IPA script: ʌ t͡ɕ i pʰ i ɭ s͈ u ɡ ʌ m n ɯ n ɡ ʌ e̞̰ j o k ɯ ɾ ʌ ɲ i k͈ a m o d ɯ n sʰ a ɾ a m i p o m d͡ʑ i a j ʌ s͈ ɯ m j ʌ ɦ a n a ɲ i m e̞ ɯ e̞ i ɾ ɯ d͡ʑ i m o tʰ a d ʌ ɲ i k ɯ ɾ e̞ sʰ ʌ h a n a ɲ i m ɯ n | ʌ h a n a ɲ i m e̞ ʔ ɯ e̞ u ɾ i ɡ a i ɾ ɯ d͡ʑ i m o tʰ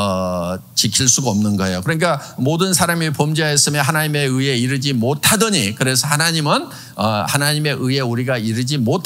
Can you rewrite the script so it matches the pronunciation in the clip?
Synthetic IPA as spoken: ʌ t͡ɕ i kʰ i ɭ s͈ u ɡ ʌ m n ɯ n ɡ ʌ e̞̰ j o k ɯ ɾ ʌ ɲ i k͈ a m o d ɯ n sʰ a ɾ a m i p o m d͡ʑ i a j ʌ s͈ ɯ m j ʌ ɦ a n a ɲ i m e̞ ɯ e̞ i ɾ ɯ d͡ʑ i m o tʰ a d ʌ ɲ i k ɯ ɾ e̞ sʰ ʌ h a n a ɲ i m ɯ n | ʌ h a n a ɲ i m e̞ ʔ ɯ e̞ u ɾ i ɡ a i ɾ ɯ d͡ʑ i m o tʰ

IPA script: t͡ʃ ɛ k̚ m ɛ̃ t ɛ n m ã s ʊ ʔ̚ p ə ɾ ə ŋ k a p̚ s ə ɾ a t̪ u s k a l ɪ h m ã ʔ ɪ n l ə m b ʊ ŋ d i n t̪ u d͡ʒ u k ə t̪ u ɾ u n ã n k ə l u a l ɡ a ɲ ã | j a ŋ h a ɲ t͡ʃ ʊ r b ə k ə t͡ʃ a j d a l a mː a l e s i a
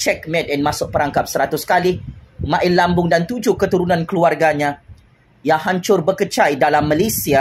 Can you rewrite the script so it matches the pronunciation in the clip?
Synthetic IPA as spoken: t͡ʃ ɛ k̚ m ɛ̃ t ɛ n m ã s ʊ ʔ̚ p ə ɾ a ŋ k a p̚ s ə ɾ a t̪ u s k a l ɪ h m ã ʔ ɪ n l a m b ʊ ŋ d a n t̪ u d͡ʒ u k ə t̪ u ɾ u n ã n k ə l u a r ɡ a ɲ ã | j a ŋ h a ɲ t͡ʃ ʊ r b ə k ə t͡ʃ a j d a l a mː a l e s i a

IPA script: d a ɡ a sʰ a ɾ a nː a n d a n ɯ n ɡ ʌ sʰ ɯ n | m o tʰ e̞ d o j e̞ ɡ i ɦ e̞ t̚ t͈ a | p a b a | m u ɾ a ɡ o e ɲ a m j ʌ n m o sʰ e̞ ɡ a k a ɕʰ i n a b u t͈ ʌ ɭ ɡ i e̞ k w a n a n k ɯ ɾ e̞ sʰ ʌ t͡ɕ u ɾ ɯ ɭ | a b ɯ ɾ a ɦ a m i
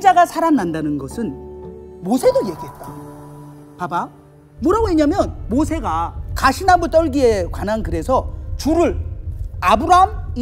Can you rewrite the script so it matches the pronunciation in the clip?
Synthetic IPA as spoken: d͡ʑ a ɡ a sʰ a ɾ a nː a n d a n ɯ n ɡ ʌ sʰ ɯ n | m o sʰ e̞ d o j e̞ ɡ i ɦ e̞ t̚ t͈ a | p a b a | m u ɾ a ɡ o e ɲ a m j ʌ n m o sʰ e̞ ɡ a k a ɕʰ i n a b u t͈ ʌ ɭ ɡ i e̞ k w a n a n k ɯ ɾ e̞ sʰ ʌ t͡ɕ u ɾ ɯ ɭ | a b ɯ ɾ a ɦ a m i

